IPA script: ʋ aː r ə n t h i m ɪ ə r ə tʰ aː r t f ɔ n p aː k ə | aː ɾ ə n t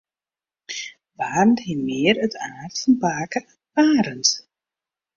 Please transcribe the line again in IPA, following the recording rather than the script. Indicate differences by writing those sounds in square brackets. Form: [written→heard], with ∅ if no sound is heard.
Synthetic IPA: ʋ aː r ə n t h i m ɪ ə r ə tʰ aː r t f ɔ n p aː k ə | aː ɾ ə n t